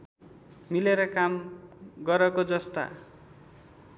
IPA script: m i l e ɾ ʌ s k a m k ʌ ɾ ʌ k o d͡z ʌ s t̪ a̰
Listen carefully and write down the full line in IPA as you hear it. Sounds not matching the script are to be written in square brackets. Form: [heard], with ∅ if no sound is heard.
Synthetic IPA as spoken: m i l e ɾ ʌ [∅] k a m [ɡ] ʌ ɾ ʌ k o d͡z ʌ s t̪ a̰